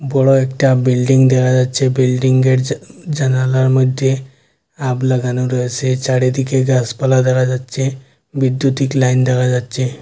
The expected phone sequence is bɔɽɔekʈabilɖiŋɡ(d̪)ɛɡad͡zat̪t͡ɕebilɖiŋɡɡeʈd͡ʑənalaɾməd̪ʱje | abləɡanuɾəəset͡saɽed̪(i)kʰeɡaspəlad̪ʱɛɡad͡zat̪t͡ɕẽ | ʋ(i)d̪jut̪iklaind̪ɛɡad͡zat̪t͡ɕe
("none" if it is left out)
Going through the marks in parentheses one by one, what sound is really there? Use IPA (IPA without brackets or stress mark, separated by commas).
d̪, i, i